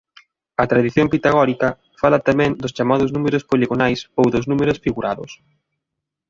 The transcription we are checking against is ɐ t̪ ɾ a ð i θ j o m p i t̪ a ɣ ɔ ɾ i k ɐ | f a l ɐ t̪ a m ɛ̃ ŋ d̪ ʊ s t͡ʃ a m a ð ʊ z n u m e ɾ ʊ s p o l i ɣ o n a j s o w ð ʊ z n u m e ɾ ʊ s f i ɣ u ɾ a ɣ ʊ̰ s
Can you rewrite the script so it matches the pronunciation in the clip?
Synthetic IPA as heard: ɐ t̪ ɾ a ð i θ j o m p i t̪ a ɣ ɔ ɾ i k ɐ | f a l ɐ t̪ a m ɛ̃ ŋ d̪ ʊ s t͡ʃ a m a ð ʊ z n u m e ɾ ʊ s p o l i ɣ o n a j s o w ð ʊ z n u m e ɾ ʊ s f i ɣ u ɾ a ð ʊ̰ s